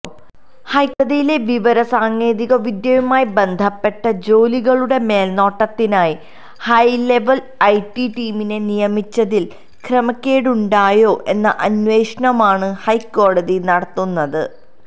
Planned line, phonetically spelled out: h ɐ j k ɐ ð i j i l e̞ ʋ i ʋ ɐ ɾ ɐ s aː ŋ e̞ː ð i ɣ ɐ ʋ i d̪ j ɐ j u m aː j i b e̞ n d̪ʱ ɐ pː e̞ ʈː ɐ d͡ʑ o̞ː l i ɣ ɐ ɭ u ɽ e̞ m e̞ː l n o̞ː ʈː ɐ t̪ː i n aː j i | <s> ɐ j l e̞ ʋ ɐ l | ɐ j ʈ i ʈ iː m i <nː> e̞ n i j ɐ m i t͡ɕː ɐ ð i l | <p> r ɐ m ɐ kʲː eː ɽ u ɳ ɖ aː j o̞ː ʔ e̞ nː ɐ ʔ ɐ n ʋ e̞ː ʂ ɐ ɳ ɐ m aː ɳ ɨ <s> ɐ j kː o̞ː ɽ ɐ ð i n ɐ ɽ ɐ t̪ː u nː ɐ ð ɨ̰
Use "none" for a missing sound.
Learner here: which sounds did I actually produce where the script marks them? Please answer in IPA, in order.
h, n, k, h

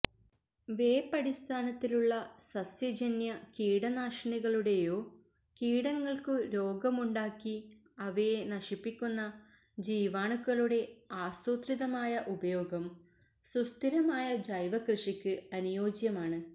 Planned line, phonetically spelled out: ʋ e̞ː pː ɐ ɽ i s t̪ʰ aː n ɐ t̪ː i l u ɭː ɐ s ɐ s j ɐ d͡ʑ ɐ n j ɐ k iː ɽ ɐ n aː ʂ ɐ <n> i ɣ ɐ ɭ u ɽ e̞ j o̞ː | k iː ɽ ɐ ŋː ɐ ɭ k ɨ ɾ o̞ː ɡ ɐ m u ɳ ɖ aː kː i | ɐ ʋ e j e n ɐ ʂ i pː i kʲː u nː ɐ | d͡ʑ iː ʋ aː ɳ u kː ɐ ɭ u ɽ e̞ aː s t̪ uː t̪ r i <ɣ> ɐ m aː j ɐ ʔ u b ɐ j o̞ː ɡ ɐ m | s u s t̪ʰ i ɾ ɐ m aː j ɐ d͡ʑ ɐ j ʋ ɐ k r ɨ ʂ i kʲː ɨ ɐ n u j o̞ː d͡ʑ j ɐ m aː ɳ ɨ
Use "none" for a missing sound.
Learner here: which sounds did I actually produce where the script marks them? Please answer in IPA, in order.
ɳ, ð

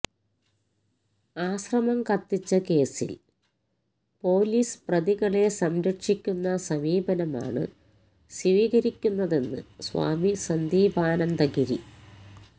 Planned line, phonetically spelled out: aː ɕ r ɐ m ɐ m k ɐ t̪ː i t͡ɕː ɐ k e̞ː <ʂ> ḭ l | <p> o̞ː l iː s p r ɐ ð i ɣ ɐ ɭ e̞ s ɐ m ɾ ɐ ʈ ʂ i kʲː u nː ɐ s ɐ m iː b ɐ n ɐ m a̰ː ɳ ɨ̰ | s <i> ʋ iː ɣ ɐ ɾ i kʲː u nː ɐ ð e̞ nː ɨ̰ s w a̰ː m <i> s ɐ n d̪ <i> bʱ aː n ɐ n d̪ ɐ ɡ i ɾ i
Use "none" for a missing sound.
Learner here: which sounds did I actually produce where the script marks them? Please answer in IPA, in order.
s, p, i, i, iː

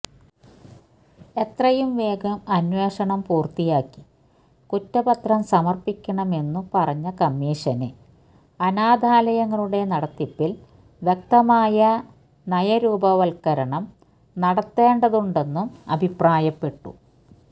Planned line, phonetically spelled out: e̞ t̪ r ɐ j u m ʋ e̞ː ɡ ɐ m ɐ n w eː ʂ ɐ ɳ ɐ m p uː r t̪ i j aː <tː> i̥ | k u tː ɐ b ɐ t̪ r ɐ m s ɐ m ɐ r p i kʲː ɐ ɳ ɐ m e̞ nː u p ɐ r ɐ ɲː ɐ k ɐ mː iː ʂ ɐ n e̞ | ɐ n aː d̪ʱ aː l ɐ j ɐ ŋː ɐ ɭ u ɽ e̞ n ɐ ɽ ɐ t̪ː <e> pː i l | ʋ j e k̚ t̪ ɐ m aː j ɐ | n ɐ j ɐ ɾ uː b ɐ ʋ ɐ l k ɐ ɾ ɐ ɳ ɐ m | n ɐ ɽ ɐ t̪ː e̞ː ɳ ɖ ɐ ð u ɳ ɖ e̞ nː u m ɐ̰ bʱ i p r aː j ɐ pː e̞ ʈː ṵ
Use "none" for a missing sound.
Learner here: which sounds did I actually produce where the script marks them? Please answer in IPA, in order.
kː, i

